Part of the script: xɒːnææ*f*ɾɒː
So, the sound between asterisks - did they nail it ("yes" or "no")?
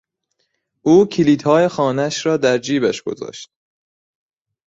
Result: no